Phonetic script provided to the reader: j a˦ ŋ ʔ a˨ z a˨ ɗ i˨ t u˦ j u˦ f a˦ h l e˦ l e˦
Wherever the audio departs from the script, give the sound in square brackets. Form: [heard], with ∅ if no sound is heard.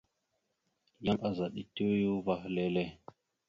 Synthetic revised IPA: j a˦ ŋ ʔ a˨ z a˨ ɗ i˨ t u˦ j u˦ [v] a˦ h l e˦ l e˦